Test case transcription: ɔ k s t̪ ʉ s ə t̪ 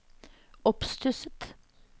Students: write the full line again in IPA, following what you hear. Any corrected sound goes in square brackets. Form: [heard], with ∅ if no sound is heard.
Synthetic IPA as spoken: ɔ [p] s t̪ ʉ s ə t̪